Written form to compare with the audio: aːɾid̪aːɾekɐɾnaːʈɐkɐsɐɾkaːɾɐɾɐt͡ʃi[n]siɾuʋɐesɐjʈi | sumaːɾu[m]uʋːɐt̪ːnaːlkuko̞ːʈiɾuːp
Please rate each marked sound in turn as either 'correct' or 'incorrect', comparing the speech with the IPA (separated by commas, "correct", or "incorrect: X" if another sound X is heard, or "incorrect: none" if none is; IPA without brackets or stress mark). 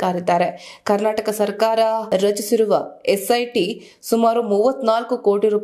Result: incorrect: none, correct